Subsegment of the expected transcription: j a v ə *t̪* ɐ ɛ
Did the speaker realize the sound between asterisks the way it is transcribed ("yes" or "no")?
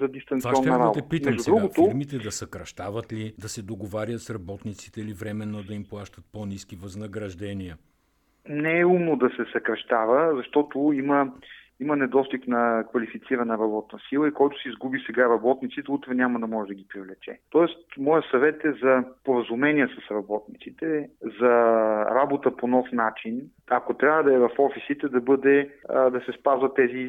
no